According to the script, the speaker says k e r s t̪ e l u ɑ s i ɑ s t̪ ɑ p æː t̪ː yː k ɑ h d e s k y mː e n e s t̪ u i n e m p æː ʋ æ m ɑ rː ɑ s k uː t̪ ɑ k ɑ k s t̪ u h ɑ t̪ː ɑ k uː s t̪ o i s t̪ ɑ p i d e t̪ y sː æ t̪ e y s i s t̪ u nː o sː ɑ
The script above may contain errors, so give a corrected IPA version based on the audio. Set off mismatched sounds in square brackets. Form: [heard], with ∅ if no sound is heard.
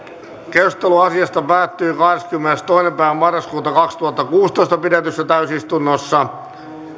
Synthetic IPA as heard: k e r s t̪ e l u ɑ s i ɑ s t̪ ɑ p æː t̪ː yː k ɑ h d e s k y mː e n e s t̪ [o] i n e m p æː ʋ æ m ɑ rː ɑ s k uː t̪ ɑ k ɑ k s t̪ u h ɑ t̪ː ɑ k uː s t̪ o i s t̪ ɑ p i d e t̪ y sː æ t̪ [æ] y s i s t̪ u nː o sː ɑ

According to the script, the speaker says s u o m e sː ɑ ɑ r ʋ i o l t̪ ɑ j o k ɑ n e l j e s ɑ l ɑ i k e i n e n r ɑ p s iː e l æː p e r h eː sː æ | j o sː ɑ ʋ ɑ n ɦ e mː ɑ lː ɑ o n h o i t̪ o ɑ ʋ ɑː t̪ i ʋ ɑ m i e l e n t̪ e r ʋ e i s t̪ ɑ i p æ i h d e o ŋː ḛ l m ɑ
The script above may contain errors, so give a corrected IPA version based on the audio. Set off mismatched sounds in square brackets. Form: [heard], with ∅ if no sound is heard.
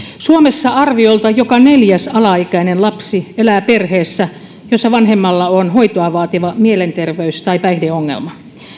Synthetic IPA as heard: s u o m e sː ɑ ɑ r ʋ i o l t̪ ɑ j o k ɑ n e l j [æ] s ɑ l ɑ i k [æ] i n e n [l] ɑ p s [i] e l æː p e r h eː sː æ | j o sː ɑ ʋ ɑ n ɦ e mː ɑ lː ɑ o n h o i t̪ o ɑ ʋ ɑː t̪ i ʋ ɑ m i e l e n t̪ e r ʋ e [y] s t̪ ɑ i p æ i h d e o ŋː ḛ l m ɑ

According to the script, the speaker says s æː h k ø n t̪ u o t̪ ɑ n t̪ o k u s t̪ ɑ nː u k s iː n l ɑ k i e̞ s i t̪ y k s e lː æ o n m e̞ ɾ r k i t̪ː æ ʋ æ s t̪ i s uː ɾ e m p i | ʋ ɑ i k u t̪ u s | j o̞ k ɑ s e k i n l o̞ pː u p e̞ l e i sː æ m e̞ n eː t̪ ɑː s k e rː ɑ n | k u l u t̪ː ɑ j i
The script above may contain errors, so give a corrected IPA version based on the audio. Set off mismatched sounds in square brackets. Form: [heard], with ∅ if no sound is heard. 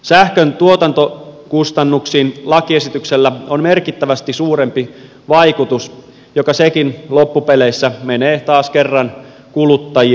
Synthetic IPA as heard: s [æ] h k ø n t̪ u o t̪ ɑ n t̪ o k u s t̪ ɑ nː u k s iː n l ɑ k i e̞ s i t̪ y k s e lː æ o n m e̞ [∅] r k i t̪ː æ ʋ æ s t̪ i s uː ɾ e m p i | ʋ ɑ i k u t̪ u s | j o̞ k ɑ s e k i n l o̞ pː u p e̞ l e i sː æ m e̞ n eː t̪ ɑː s k e rː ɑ n | k u l u t̪ː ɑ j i

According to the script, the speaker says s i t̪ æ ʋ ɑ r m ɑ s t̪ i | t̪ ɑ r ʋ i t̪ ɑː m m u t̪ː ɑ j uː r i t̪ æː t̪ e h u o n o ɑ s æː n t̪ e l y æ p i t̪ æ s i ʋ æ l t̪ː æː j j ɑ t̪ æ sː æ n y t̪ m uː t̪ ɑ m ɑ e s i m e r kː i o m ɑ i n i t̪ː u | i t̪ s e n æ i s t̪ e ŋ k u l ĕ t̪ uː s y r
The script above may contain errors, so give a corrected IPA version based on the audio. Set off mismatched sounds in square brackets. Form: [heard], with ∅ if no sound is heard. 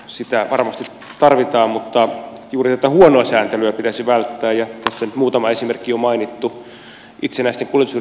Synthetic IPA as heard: s i t̪ æ ʋ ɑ r m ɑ s t̪ i | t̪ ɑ r ʋ i t̪ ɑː m m u t̪ː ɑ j uː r i t̪ [æ] t̪ [æ] h u o n o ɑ s æː n t̪ e l y æ p i t̪ æ s i ʋ æ l t̪ː æː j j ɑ t̪ æ sː æ n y t̪ m uː t̪ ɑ m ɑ e s i m e r kː i o m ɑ i n i t̪ː u | i t̪ s e n æ i s t̪ e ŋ k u l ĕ t̪ [u] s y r

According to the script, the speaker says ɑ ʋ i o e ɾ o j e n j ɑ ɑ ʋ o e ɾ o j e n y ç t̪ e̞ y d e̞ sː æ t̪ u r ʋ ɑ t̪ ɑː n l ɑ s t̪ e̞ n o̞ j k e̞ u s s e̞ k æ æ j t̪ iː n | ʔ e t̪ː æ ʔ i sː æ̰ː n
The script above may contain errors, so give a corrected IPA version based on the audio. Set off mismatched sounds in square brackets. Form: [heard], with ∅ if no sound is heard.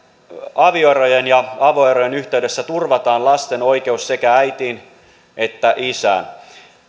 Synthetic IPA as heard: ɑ ʋ i o e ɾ o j e n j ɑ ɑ ʋ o e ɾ o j e n y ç t̪ e̞ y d e̞ sː æ t̪ u r ʋ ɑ t̪ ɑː n l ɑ s t̪ e̞ n o̞ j k e̞ u s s e̞ k æ æ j t̪ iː n | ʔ e t̪ː æ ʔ i [s] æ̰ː n

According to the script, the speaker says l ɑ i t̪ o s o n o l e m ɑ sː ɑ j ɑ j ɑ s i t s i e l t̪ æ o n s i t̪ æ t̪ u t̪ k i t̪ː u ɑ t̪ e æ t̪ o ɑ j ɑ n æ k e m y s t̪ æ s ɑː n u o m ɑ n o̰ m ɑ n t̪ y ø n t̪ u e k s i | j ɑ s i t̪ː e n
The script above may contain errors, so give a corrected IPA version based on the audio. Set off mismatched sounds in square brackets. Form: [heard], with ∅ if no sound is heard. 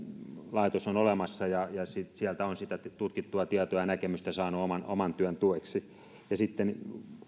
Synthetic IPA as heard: l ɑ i t̪ o s o n o l e m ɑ sː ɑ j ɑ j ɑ s i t s i [æ] l t̪ æ o n s i t̪ æ t̪ u t̪ k i t̪ː u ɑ t̪ [i] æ t̪ o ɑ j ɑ n æ k e m y s t̪ æ s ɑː n u o m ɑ n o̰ m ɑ n t̪ y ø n t̪ u e k s i | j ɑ s i t̪ː e n

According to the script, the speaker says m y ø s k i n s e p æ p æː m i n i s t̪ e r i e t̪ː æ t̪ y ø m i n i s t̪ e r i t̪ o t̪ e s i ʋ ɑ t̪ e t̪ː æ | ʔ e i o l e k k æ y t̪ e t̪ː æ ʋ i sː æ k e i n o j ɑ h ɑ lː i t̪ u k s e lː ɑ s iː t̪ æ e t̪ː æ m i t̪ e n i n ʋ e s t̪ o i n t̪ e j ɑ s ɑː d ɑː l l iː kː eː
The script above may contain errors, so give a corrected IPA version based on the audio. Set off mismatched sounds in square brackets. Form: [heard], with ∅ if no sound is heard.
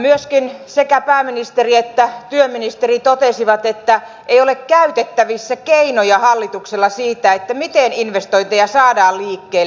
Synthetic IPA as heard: m y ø s k i n s e [k] æ p æː m i n i s t̪ e r i e t̪ː æ t̪ y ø m i n i s t̪ e r i t̪ o t̪ e s i ʋ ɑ t̪ e t̪ː æ | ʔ e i o l e k k æ y t̪ e t̪ː æ ʋ i sː æ k e i n o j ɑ h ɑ lː i t̪ u k s e lː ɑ s iː t̪ æ e t̪ː æ m i t̪ e n i n ʋ e s t̪ o i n t̪ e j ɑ s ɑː d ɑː l l iː kː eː

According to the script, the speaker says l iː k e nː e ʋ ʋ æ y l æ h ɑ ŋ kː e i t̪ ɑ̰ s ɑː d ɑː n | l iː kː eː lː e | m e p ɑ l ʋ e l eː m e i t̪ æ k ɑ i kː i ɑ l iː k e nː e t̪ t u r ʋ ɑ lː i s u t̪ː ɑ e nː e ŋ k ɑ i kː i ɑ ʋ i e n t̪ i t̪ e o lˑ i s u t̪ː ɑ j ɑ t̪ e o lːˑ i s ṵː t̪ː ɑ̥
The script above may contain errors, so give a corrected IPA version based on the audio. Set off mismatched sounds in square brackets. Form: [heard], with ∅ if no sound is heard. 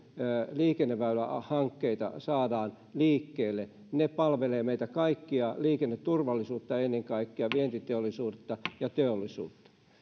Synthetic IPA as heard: l iː k e nː e ʋ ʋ æ y l æ h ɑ ŋ kː e i t̪ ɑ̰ s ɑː d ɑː n | l iː kː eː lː e | [n] e p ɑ l ʋ e l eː m e i t̪ æ k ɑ i kː i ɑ l iː k e nː e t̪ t u r ʋ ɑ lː i s [uː] t̪ː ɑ e nː e ŋ k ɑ i kː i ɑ ʋ i e n t̪ i t̪ e o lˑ i s [uː] t̪ː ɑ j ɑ t̪ e o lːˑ i s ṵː t̪ː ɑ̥

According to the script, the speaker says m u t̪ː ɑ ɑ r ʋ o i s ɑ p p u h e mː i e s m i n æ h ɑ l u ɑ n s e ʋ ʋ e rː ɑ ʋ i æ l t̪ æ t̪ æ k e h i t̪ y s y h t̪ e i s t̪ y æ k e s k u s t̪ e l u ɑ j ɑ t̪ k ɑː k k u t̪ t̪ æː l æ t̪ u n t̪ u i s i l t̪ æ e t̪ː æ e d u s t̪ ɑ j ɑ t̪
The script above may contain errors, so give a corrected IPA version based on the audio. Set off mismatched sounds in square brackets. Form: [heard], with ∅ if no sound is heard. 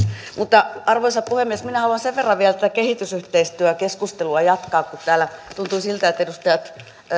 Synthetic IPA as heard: m u t̪ː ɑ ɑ r ʋ o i s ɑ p p u h e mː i e s m i n æ h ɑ l u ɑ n s e ʋ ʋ e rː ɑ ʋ i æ l t̪ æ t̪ æ k e h i t̪ y s y h t̪ e i s t̪ y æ k e s k u s t̪ e l u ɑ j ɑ t̪ k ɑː k k u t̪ t̪ æː l æ t̪ u n t̪ u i s i l t̪ æ e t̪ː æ e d u s t̪ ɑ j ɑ t̪

